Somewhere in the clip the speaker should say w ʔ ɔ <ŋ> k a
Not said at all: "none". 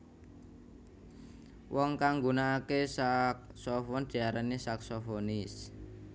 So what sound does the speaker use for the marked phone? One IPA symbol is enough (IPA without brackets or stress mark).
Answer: ŋ